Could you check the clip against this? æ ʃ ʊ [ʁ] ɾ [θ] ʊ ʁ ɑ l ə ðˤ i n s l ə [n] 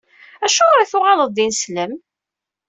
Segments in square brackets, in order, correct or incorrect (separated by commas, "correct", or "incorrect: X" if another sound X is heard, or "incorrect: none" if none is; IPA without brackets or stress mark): correct, correct, incorrect: m